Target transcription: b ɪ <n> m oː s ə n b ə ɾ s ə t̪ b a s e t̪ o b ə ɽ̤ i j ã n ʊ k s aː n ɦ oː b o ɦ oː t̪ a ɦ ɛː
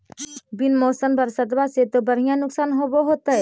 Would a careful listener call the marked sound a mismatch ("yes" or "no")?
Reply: no